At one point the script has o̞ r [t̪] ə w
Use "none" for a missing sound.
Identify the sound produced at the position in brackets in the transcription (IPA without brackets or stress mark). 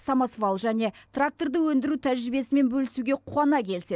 d̪